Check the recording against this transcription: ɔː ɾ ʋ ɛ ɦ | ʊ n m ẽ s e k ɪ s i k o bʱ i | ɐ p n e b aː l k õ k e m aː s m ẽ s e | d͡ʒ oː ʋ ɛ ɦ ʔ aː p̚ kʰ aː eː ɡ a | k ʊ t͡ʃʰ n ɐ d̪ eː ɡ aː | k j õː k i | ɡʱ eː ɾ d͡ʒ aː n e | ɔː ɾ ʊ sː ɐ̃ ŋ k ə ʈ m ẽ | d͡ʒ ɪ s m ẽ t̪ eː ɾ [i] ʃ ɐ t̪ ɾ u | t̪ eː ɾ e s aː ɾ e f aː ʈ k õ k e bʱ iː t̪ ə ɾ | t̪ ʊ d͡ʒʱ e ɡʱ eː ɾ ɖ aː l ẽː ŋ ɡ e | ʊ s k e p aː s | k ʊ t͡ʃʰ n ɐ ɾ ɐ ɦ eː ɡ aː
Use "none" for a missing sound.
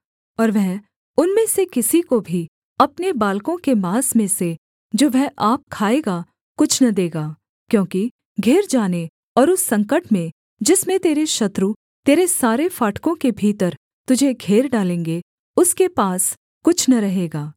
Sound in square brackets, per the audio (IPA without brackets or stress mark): e